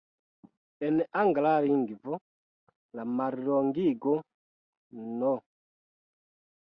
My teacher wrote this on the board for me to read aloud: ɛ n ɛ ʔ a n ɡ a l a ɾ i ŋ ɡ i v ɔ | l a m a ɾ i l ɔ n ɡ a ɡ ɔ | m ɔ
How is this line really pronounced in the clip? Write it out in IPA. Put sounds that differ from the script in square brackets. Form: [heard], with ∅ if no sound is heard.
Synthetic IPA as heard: ɛ n ɛ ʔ a [ŋ] ɡ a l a ɾ i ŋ ɡ i v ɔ | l a m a ɾ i [ɾ] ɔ [ŋ] ɡ [i] ɡ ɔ | [n] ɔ